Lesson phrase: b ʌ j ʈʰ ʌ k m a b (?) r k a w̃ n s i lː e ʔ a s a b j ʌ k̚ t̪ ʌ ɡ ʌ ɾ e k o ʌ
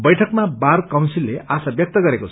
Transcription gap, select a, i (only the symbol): a